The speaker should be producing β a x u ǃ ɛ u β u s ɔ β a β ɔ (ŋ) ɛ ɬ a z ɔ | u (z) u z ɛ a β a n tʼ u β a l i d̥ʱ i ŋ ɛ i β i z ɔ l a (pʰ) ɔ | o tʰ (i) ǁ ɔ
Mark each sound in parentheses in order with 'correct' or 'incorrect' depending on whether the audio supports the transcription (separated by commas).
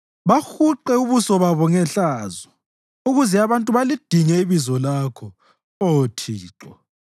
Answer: correct, incorrect, incorrect, incorrect